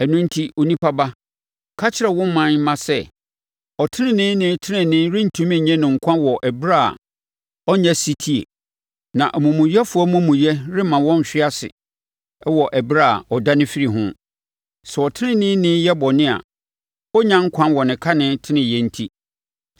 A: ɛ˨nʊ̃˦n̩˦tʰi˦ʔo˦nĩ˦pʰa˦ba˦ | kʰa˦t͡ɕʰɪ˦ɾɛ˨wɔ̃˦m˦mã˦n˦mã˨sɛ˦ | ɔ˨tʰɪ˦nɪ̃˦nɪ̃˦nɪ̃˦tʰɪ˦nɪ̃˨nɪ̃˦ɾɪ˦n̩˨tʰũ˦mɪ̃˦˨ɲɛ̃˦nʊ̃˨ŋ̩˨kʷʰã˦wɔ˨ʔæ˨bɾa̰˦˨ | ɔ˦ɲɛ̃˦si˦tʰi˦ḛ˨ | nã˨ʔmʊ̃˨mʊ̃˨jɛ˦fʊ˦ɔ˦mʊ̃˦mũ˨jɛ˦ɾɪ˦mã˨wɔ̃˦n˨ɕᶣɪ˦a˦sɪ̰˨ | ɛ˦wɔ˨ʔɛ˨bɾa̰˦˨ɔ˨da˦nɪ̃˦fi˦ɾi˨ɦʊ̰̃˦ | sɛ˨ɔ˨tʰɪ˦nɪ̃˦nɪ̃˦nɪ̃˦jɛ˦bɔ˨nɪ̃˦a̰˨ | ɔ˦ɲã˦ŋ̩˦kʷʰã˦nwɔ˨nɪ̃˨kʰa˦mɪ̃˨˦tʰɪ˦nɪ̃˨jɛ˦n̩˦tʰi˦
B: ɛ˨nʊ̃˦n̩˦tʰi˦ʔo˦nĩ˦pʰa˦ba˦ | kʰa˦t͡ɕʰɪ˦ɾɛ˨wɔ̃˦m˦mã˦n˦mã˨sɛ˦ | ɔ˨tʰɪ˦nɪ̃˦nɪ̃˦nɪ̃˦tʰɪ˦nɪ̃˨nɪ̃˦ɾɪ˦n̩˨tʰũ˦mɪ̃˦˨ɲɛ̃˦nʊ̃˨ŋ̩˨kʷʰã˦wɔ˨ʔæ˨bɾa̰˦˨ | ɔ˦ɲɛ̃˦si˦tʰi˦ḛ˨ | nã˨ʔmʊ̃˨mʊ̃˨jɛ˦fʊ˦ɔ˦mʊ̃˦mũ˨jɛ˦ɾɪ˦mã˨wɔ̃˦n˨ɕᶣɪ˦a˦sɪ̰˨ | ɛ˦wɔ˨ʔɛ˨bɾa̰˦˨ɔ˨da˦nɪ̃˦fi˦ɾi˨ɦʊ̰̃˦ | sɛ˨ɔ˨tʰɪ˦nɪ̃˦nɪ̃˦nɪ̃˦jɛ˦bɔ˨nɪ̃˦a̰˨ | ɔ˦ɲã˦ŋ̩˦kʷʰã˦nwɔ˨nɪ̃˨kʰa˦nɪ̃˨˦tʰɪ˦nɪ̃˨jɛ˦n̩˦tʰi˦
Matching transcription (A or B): B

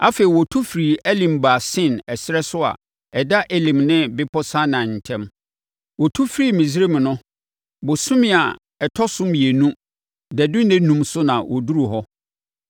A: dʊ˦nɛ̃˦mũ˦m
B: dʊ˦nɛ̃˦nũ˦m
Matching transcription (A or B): B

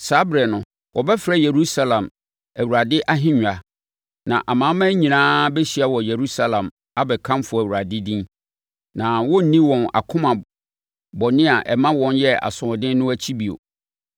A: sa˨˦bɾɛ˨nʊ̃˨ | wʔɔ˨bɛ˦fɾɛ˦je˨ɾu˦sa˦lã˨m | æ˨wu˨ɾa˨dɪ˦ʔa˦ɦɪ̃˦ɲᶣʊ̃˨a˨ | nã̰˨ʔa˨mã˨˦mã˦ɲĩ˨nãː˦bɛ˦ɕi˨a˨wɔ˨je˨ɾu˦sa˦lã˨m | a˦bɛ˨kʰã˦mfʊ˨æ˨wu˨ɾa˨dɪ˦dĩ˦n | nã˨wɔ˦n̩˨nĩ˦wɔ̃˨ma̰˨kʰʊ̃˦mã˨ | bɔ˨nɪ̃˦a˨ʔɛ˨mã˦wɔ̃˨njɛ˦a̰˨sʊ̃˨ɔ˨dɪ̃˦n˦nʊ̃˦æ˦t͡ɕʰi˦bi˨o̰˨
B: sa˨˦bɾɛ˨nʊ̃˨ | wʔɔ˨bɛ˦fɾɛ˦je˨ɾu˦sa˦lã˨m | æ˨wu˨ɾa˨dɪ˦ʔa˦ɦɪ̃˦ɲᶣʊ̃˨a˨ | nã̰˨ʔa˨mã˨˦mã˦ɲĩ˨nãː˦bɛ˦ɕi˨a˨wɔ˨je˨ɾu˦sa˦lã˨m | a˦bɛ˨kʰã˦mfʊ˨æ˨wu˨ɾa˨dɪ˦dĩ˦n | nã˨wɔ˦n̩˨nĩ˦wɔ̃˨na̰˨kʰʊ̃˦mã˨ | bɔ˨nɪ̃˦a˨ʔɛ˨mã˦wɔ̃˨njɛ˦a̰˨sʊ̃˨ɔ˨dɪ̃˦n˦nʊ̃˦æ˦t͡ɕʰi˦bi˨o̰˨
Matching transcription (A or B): B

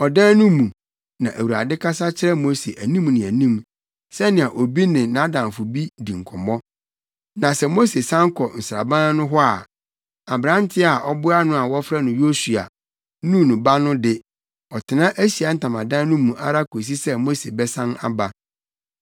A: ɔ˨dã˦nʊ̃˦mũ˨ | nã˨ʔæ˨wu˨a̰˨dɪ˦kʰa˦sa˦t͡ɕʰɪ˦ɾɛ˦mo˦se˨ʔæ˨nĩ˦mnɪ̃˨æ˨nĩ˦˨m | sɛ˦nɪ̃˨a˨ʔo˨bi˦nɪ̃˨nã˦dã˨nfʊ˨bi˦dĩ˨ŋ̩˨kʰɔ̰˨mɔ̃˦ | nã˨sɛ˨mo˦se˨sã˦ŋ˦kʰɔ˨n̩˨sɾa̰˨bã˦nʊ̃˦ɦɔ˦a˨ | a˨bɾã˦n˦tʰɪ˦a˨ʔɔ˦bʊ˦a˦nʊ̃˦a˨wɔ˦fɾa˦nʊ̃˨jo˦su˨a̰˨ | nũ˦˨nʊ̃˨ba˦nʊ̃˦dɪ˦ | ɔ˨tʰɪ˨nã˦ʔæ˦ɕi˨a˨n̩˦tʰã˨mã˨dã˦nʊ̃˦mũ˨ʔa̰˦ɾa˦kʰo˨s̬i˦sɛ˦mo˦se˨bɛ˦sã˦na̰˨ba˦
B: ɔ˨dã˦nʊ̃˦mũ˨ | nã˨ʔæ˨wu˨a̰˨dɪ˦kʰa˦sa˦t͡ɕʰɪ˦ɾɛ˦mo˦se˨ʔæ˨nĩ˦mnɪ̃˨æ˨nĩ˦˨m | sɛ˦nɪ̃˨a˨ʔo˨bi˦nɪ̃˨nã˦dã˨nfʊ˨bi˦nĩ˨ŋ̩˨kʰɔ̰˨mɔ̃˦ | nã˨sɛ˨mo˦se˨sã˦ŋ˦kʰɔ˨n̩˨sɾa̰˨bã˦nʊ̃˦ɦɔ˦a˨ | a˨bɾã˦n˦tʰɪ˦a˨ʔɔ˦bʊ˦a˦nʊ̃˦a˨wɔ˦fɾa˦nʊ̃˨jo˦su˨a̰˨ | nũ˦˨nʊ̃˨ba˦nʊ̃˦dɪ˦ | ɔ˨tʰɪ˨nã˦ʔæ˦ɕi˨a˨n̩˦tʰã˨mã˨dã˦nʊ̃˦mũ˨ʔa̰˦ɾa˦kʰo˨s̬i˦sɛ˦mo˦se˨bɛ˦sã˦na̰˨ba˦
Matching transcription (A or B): A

